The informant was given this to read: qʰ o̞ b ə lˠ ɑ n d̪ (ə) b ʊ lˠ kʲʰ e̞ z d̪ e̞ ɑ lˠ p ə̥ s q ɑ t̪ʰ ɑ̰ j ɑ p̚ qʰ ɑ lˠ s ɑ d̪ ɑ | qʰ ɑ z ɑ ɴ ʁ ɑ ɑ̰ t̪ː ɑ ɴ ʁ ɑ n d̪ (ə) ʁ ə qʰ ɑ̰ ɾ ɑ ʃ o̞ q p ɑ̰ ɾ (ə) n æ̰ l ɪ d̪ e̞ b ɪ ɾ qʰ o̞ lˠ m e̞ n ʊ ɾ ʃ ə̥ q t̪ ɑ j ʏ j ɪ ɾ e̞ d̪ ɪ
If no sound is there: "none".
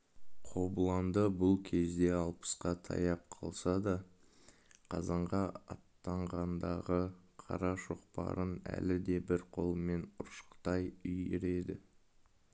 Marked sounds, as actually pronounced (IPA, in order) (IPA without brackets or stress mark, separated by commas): ə, ɑ, ə